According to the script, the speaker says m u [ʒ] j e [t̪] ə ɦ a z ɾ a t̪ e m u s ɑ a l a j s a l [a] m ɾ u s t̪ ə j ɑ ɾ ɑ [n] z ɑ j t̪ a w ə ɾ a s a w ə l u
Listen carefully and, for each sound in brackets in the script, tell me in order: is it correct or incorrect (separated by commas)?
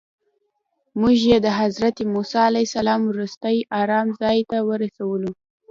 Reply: correct, incorrect, incorrect, incorrect